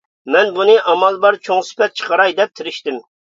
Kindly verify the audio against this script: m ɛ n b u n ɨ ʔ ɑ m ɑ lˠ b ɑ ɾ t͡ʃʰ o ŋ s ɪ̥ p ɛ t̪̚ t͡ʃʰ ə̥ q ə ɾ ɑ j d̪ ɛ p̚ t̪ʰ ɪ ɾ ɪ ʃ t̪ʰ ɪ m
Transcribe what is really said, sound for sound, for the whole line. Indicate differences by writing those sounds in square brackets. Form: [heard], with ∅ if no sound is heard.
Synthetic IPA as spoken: m ɛ n b u n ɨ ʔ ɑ m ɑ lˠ b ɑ ɾ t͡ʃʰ o ŋ s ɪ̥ p ɛ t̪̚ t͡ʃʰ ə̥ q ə ɾ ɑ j d̪ ɛ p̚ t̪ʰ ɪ ɾ ɪ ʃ [t̪] ɪ m

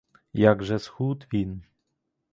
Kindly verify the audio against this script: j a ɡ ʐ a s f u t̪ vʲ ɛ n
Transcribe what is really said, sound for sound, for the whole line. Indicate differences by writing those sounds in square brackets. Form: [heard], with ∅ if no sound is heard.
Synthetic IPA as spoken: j a ɡ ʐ [ɛ] s [x] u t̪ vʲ [i] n

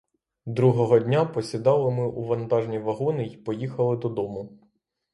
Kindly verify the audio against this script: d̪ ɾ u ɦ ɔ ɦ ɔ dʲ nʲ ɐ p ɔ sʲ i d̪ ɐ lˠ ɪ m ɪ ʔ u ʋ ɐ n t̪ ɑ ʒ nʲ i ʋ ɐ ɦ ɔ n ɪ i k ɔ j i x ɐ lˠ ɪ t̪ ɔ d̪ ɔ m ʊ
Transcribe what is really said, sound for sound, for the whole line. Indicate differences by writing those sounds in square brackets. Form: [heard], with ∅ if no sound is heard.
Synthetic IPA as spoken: d̪ ɾ u ɦ ɔ ɦ ɔ dʲ nʲ [a] p ɔ sʲ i d̪ [ɑ] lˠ ɪ m ɪ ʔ u ʋ ɐ n t̪ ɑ ʒ nʲ i ʋ ɐ ɦ ɔ n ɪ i [p] ɔ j i x ɐ lˠ ɪ [d̪] ɔ d̪ ɔ m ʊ

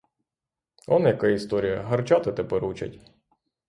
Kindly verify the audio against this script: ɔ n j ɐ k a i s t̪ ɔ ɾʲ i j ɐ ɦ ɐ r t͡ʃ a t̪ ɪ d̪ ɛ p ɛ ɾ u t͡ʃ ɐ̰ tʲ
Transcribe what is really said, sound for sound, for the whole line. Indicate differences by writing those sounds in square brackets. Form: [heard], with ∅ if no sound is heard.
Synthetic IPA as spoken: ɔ n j ɐ k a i s t̪ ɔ ɾʲ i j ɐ ɦ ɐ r t͡ʃ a t̪ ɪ [t̪] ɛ p ɛ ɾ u t͡ʃ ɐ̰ tʲ

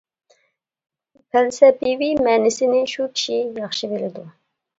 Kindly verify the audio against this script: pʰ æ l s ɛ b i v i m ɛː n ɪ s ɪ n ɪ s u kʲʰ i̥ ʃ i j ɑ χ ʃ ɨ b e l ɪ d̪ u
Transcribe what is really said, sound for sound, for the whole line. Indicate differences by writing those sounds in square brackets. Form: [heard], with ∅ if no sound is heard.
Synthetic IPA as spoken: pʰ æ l s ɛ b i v i m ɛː n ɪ s ɪ n ɪ [ʃ] u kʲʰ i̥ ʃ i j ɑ χ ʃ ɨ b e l ɪ d̪ u

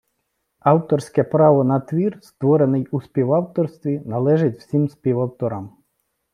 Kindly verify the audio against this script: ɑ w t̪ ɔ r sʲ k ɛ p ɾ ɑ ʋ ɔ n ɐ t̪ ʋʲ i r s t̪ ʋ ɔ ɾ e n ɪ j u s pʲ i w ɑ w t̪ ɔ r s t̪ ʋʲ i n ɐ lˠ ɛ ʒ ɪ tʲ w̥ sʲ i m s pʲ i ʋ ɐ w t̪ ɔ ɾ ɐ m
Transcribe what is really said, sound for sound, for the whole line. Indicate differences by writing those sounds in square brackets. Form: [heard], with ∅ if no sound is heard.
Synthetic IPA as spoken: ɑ w t̪ ɔ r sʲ k ɛ p ɾ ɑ ʋ ɔ n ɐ t̪ ʋʲ i r s t̪ ʋ ɔ ɾ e n ɪ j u s pʲ i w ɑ w t̪ ɔ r s t̪ ʋʲ i n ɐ lˠ ɛ ʒ ɪ tʲ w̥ sʲ i m s pʲ i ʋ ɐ w t̪ ɔ ɾ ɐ m

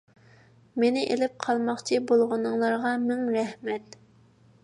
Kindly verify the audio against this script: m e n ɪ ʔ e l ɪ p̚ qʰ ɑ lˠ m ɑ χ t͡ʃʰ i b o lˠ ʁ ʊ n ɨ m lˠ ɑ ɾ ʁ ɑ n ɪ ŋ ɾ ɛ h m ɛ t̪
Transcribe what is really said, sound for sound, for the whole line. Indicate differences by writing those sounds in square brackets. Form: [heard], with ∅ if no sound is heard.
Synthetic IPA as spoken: m e n ɪ ʔ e l ɪ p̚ qʰ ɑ lˠ m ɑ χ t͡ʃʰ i b o lˠ ʁ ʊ n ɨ [ŋ] lˠ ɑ ɾ ʁ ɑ [m] ɪ ŋ ɾ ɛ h m ɛ t̪

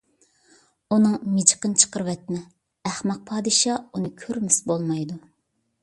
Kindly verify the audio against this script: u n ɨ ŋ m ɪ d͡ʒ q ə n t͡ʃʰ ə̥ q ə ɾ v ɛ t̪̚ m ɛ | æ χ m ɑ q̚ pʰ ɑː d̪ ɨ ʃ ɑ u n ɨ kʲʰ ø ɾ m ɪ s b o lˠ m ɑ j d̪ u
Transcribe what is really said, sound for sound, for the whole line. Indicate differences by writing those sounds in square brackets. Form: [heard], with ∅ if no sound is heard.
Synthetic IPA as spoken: u n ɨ ŋ m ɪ d͡ʒ q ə n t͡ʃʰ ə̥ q ə ɾ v ɛ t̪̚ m ɛ | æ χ m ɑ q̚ pʰ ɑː d̪ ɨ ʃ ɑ u n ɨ kʲʰ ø ɾ m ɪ s b o lˠ m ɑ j d̪ u

